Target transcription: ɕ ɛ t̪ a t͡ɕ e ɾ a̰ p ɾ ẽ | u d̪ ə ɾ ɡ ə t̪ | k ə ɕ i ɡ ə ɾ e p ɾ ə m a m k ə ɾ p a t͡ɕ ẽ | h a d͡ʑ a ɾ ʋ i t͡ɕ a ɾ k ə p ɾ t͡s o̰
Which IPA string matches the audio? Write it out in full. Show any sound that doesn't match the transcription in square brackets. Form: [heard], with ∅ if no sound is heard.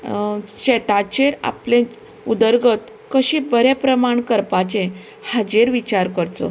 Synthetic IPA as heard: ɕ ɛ t̪ a t͡ɕ e ɾ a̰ p [l] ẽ | u d̪ ə ɾ ɡ ə t̪ | k ə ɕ i [b] ə ɾ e p ɾ ə m a [ɳ] k ə ɾ p a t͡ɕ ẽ | h a d͡ʑ [e] ɾ ʋ i t͡ɕ a ɾ k ə [∅] ɾ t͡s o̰